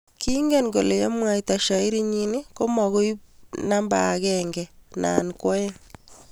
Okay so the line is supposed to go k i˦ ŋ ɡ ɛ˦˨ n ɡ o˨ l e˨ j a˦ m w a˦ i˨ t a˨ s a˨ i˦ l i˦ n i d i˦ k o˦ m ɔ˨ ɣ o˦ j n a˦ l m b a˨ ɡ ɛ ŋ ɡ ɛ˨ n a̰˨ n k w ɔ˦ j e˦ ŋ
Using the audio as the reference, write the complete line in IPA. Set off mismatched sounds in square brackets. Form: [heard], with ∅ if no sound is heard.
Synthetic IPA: k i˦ ŋ ɡ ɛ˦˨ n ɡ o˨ l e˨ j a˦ m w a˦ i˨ t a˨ [ʃ] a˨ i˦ [ɾ] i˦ [ɲ] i [n] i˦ k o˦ m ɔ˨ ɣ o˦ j n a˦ [∅] m b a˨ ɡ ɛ ŋ ɡ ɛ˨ n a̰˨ n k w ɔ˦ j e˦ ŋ